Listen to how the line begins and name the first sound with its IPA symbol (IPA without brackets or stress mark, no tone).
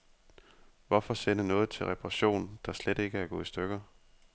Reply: ʋ